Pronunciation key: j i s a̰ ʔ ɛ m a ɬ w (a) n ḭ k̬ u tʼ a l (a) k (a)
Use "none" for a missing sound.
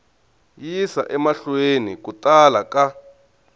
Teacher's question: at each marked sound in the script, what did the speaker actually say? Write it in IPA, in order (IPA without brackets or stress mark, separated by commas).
e, a, a